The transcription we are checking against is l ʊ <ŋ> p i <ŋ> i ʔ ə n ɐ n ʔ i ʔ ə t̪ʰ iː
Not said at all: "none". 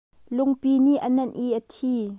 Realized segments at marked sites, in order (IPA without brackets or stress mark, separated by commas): ŋ, n